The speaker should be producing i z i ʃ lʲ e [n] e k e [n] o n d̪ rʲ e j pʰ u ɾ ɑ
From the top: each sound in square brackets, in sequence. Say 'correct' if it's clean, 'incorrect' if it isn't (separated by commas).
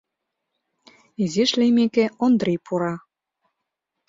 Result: incorrect, incorrect